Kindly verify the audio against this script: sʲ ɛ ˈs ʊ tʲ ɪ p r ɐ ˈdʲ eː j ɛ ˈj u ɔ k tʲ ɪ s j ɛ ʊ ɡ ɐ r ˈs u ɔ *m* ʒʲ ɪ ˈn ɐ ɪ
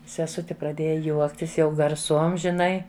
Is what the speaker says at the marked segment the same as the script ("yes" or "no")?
yes